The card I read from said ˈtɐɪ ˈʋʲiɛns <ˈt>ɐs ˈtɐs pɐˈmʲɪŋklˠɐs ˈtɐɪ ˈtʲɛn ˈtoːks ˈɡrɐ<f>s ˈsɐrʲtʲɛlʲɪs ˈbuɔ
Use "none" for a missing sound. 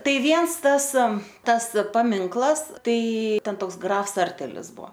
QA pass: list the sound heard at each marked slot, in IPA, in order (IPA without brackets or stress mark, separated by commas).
t, f